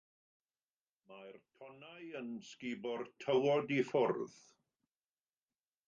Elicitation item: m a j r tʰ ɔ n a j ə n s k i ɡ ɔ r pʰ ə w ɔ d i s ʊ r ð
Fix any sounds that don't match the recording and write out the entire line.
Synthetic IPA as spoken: m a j r tʰ ɔ n a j ə n s k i b ɔ r tʰ ə w ɔ d i f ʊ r ð